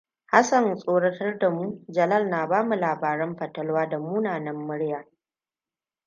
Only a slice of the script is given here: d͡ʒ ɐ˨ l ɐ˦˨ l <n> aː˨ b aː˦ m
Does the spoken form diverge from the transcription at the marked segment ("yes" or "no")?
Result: no